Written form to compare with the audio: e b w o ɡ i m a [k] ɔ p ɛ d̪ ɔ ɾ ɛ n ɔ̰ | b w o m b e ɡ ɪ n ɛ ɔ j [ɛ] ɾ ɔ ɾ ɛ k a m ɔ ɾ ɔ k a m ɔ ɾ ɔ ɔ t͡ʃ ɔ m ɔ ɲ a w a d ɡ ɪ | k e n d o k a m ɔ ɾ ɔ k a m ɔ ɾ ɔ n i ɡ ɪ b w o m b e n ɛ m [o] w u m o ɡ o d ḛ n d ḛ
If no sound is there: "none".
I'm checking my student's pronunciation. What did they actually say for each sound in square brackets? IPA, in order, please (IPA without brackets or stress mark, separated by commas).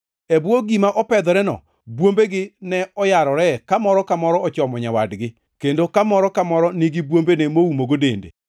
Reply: ʔ, a, o